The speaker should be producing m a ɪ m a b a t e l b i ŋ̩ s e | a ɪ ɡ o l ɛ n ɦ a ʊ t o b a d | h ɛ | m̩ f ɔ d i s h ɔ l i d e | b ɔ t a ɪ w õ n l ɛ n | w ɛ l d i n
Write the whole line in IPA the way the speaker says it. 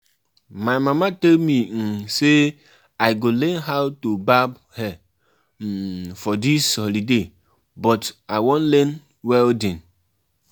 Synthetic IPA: m a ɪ m a m a t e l m i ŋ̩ s e | a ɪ ɡ o l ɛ n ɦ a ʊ t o b a b | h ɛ | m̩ f ɔ d i s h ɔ l i d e | b ɔ t a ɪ w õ n l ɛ n | w ɛ l d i n